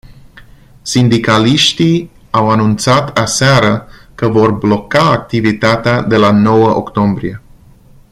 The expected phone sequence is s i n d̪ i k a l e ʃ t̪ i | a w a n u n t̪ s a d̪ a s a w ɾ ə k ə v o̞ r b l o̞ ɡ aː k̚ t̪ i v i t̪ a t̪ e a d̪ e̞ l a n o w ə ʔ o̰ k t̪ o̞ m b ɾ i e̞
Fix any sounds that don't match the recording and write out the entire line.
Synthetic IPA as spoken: s i n d̪ i k a l i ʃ t̪ i | a w a n u n t̪ s a t̪ a s a ɾ ə k ə v o̞ r b l o̞ k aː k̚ t̪ i v i t̪ a t̪ e a d̪ e̞ l a n o w ə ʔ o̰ k t̪ o̞ m b ɾ i e̞